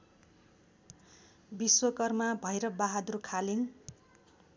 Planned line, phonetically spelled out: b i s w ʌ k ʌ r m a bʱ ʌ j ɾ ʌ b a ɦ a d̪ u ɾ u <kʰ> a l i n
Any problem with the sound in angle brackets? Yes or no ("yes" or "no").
no